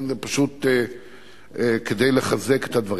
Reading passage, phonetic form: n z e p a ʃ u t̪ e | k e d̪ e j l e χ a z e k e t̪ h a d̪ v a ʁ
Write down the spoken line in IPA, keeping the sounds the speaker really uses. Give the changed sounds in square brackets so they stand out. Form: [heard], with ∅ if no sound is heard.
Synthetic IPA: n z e p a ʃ u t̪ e | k e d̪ e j l e χ a z e k e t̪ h a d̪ v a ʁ